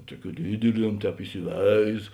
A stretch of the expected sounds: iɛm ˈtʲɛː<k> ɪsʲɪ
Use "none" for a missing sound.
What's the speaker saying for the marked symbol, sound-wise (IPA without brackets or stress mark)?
p